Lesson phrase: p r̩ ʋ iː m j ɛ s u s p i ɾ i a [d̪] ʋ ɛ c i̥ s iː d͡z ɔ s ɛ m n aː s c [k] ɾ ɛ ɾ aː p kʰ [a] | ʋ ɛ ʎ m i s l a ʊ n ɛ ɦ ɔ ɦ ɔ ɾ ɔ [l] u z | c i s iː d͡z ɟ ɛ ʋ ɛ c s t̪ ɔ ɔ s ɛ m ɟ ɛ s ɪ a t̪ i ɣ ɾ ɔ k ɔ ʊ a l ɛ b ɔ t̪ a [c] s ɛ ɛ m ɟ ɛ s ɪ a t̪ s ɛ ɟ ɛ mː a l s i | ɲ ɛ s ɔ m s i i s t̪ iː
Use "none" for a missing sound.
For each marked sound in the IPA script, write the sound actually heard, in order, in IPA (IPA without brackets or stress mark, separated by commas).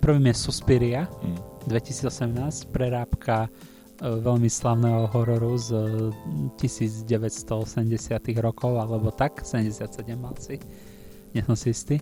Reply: d̪, p, a, ɾ, k